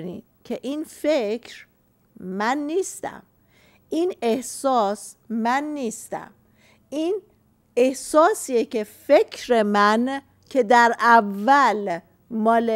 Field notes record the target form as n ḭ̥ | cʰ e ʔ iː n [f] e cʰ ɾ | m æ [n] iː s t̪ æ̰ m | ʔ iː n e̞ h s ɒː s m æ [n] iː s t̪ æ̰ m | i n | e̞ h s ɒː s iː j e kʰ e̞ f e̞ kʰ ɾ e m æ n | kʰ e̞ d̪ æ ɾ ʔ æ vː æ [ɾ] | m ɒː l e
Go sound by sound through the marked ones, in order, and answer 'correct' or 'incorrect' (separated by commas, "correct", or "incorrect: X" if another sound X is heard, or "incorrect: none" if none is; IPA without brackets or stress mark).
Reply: correct, incorrect: nː, incorrect: nː, incorrect: l